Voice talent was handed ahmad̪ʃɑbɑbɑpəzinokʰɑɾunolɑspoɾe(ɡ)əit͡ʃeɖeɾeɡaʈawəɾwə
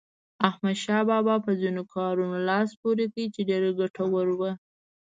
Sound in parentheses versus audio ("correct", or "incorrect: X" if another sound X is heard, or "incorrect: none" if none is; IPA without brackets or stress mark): incorrect: k